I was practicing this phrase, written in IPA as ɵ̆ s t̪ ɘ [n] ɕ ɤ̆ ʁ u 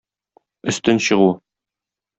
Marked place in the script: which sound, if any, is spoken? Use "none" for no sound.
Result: n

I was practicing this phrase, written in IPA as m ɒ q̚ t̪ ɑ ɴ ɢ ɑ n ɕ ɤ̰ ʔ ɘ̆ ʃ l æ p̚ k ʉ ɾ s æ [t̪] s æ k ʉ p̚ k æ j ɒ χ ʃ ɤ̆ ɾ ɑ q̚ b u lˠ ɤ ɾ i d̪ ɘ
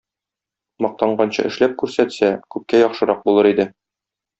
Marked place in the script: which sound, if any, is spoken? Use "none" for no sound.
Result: t̪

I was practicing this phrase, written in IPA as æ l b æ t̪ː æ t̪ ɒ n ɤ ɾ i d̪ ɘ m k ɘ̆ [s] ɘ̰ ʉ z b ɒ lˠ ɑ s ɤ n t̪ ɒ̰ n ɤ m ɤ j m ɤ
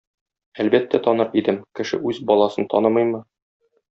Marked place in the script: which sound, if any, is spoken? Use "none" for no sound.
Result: ʃ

